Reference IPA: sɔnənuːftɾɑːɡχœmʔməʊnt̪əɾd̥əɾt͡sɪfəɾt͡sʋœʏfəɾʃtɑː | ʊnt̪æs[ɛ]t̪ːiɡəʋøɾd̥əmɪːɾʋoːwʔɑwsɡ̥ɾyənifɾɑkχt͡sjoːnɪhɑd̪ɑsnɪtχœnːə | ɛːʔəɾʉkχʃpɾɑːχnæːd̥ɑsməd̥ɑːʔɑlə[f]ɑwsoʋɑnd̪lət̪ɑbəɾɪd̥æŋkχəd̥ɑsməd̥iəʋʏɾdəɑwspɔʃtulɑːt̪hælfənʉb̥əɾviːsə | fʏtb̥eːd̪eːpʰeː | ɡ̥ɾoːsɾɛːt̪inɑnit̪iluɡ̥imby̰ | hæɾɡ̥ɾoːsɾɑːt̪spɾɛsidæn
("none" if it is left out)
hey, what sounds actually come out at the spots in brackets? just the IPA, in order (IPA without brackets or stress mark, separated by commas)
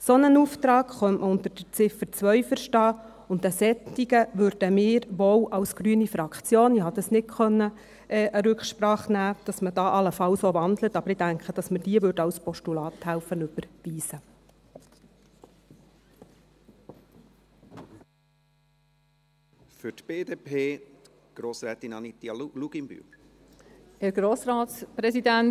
ɛ, f